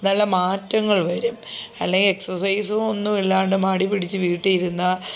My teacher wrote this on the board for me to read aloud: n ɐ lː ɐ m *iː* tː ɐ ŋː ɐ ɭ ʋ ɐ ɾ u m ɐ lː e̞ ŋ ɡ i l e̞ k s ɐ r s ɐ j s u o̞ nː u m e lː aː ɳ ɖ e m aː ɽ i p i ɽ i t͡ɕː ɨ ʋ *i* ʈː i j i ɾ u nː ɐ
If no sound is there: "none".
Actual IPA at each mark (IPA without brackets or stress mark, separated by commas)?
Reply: aː, iː